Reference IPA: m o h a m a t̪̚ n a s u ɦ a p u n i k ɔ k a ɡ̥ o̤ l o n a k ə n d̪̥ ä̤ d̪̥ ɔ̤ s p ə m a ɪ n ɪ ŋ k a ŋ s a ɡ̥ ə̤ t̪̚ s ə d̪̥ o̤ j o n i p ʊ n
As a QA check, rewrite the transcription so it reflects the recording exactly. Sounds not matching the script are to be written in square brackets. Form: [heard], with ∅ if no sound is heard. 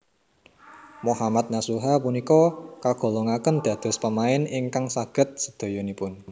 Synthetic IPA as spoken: m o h a m a t̪̚ n a s u ɦ a p u n i k ɔ k a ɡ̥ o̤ l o [ŋ] a k ə n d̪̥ ä̤ d̪̥ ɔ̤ s p ə m a ɪ n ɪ ŋ k a ŋ s a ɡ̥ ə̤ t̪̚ s ə d̪̥ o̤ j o n i p ʊ n